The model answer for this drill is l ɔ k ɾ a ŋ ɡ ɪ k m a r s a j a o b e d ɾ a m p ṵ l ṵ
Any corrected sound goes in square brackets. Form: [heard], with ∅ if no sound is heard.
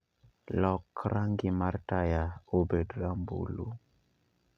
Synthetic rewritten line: l ɔ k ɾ a ŋ ɡ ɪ [∅] m a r [t] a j a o b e d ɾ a m [b] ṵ l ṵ